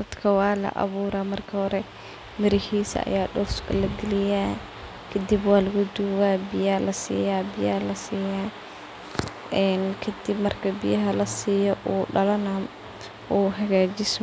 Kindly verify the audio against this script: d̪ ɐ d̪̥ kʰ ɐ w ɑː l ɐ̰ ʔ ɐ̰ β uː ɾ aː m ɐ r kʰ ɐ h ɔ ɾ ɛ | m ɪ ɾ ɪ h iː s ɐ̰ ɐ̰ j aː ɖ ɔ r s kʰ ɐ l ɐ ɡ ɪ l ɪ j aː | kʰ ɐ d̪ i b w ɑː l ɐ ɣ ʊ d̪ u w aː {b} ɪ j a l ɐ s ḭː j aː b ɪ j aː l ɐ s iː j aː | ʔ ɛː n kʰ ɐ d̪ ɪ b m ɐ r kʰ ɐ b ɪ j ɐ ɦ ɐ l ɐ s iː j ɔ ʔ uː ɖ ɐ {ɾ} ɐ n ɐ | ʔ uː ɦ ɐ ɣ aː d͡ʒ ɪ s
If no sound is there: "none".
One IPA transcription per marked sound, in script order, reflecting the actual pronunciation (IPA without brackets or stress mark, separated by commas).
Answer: b, l